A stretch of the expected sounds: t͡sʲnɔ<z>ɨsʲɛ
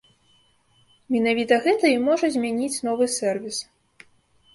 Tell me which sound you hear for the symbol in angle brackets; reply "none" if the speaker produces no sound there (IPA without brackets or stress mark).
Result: v